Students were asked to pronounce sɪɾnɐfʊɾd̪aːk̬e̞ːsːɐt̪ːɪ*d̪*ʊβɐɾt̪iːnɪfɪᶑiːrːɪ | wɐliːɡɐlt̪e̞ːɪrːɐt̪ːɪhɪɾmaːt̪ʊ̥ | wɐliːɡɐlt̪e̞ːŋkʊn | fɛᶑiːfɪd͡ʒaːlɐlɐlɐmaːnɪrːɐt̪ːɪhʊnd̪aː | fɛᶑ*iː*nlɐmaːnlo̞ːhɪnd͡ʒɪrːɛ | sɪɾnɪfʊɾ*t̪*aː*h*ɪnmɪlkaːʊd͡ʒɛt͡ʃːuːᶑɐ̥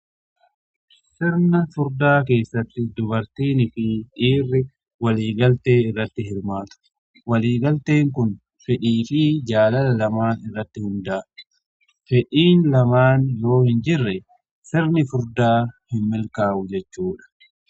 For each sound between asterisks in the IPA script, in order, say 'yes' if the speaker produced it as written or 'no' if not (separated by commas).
yes, yes, no, yes